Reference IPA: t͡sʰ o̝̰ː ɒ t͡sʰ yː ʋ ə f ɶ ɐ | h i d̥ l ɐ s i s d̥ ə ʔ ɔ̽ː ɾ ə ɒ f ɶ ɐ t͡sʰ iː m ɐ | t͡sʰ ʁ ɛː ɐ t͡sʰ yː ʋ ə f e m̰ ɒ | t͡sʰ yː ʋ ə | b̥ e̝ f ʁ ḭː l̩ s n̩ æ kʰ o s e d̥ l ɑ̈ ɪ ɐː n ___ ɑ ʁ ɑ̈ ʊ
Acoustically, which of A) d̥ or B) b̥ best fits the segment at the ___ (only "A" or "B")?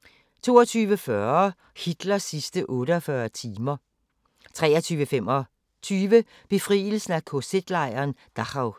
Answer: A